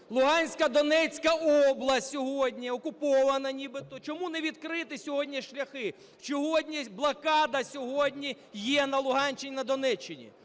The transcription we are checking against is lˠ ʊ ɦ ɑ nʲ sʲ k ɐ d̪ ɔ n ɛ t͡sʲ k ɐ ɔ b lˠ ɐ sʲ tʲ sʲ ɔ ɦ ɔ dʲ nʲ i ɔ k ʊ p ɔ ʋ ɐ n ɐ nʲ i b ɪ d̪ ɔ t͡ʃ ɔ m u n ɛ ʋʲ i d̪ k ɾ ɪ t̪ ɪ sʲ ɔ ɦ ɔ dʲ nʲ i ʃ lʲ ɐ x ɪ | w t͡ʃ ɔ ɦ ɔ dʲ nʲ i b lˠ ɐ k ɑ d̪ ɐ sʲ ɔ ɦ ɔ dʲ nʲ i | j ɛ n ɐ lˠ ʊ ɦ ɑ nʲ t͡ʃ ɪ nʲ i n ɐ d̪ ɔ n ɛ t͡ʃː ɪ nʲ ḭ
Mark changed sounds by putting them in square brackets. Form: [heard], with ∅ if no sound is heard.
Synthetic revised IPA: lˠ ʊ ɦ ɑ nʲ sʲ k ɐ d̪ ɔ n ɛ t͡sʲ k ɐ ɔ b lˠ ɐ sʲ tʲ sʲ ɔ ɦ ɔ dʲ nʲ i ɔ k ʊ p ɔ ʋ ɐ n ɐ nʲ i b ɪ [t̪] ɔ t͡ʃ ɔ m u n ɛ ʋʲ i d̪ k ɾ ɪ t̪ ɪ sʲ ɔ ɦ ɔ dʲ nʲ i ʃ lʲ ɐ x ɪ | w t͡ʃ ɔ ɦ ɔ dʲ nʲ i b lˠ ɐ k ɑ d̪ ɐ sʲ ɔ ɦ ɔ dʲ nʲ i | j ɛ n ɐ lˠ ʊ ɦ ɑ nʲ t͡ʃ ɪ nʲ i n ɐ d̪ ɔ n ɛ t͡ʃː ɪ nʲ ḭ